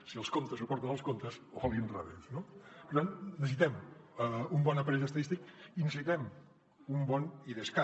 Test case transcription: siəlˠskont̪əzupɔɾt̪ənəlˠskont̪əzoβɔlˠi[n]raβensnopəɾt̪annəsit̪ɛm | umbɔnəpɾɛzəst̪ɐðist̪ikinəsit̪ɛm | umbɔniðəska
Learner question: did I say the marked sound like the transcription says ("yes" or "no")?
yes